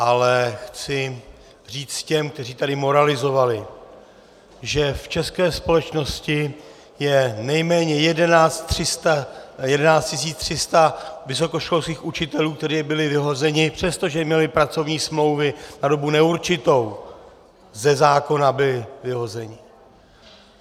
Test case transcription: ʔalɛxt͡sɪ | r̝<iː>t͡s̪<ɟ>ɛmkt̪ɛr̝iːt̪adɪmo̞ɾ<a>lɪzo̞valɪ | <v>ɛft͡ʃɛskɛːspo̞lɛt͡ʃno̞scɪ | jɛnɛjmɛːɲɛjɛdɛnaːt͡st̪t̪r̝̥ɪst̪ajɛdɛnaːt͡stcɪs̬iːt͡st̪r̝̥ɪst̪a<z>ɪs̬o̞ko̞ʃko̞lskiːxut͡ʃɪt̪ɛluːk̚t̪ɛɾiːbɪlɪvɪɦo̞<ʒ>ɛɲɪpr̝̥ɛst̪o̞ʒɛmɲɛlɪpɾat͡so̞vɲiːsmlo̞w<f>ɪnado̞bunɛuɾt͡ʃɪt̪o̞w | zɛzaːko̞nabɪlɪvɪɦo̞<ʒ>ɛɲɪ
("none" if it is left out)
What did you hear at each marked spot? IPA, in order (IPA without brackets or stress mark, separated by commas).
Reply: iː, c, a, ʒ, v, z, v, z